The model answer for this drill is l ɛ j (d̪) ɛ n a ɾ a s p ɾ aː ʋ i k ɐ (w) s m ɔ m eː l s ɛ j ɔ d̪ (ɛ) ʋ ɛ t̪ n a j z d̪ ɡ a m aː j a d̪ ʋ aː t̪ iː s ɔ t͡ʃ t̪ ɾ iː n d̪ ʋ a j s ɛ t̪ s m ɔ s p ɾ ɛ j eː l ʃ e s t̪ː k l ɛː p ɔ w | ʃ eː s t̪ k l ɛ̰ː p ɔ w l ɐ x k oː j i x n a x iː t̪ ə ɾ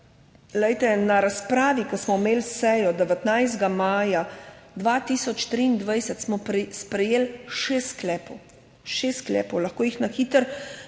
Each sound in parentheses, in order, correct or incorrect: incorrect: t̪, incorrect: none, correct

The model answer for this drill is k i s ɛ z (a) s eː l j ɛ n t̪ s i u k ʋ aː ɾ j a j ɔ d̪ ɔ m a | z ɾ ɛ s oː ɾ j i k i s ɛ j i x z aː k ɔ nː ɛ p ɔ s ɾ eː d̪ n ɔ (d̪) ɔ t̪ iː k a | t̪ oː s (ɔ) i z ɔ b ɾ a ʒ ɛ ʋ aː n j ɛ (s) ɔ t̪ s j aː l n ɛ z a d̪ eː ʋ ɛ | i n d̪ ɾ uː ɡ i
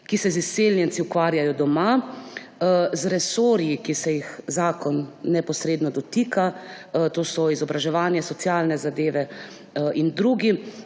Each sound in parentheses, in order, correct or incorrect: incorrect: i, correct, correct, correct

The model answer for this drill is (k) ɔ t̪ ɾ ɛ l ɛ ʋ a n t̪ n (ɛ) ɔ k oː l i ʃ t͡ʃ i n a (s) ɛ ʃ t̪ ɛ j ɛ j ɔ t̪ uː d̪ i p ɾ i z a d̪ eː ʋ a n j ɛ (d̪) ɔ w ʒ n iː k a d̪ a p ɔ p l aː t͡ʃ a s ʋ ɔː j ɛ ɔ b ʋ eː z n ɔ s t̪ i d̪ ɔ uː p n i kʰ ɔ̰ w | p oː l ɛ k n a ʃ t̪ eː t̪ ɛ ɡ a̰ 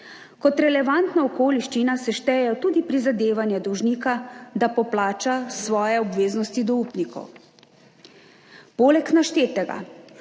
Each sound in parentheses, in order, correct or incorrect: correct, incorrect: a, correct, correct

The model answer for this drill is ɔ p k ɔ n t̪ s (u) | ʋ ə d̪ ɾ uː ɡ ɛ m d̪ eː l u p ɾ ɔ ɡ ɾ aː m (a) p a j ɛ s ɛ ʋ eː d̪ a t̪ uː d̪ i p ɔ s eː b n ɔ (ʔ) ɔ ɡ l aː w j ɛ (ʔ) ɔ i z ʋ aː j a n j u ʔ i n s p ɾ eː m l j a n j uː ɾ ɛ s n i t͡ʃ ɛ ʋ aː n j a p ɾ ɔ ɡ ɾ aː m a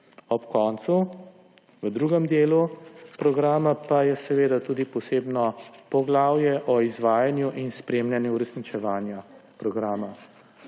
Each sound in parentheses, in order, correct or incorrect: correct, correct, incorrect: p, correct

